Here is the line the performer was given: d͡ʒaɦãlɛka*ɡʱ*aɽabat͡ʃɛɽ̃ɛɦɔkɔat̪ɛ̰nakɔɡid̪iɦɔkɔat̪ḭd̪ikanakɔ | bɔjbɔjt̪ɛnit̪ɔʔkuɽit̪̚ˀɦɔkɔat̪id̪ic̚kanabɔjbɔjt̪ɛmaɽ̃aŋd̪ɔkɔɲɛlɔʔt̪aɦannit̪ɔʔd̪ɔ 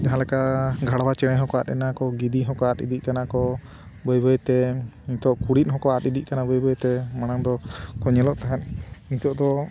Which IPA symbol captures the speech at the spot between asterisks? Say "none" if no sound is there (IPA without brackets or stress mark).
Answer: ɡʱ